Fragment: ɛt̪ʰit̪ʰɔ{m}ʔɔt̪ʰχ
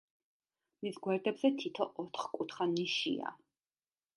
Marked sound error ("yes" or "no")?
yes